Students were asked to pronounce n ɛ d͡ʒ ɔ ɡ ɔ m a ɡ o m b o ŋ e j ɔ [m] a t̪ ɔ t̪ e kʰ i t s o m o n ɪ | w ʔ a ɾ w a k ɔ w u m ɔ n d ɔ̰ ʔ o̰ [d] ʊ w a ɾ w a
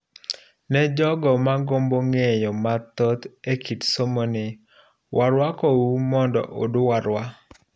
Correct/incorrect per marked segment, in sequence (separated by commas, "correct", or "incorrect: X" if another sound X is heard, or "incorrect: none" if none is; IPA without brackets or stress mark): correct, correct